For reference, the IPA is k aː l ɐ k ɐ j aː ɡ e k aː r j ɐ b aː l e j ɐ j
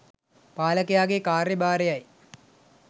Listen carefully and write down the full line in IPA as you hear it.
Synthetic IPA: p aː l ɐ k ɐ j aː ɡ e k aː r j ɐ b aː ɾ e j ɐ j